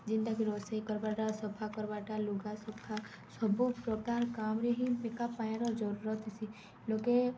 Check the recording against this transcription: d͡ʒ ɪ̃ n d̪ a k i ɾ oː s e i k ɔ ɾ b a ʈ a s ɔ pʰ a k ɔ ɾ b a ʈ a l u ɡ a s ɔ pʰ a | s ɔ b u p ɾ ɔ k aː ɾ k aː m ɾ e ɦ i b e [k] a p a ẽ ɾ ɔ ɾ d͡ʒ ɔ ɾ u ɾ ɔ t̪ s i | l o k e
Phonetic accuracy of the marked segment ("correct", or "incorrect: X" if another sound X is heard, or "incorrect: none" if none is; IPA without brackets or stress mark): correct